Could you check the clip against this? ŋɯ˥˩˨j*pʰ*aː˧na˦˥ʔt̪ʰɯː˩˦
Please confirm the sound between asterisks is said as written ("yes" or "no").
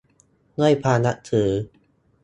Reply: yes